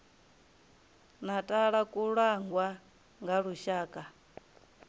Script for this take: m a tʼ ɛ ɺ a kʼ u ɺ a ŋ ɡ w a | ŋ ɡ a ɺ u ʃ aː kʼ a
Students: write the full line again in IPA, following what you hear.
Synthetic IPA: n a tʼ a ɺ a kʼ u ɺ a ŋ ɡ w a | ŋ ɡ a ɺ u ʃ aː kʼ a